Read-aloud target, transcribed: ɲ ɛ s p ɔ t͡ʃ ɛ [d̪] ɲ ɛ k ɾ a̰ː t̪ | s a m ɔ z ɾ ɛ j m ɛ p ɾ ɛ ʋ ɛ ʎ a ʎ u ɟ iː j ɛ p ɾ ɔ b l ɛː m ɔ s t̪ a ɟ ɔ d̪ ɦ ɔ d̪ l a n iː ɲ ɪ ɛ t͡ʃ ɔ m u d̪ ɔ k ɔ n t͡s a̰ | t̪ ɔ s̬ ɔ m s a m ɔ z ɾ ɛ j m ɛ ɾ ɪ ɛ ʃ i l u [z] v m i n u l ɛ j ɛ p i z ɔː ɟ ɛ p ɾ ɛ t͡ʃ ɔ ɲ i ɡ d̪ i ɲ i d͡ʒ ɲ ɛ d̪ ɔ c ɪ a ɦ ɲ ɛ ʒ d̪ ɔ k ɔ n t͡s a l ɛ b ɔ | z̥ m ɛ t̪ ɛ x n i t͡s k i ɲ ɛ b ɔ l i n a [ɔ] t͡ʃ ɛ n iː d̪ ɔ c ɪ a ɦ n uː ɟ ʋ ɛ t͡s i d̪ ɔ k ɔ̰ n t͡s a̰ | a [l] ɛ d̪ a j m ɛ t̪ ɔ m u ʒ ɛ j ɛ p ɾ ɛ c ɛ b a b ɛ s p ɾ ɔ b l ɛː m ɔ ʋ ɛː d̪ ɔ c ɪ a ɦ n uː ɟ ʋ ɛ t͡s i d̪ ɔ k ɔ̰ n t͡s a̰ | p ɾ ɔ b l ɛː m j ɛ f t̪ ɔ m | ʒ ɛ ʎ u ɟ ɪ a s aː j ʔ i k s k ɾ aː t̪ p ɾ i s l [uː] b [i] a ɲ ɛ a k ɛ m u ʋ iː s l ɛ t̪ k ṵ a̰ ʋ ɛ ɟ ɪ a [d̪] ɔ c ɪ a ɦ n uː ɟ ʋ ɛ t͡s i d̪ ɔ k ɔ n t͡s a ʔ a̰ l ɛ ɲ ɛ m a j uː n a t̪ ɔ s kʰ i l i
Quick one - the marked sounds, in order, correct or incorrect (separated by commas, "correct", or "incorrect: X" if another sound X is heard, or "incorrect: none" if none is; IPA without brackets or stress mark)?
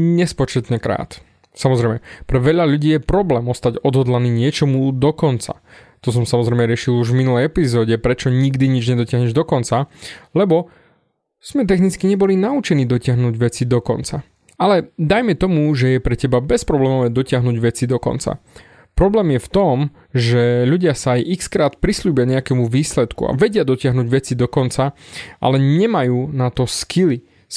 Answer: incorrect: t̪, incorrect: ʒ, incorrect: u, correct, correct, incorrect: ɪ, correct